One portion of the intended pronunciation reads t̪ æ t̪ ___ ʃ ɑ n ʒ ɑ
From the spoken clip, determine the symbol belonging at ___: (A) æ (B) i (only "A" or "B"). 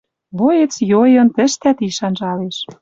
B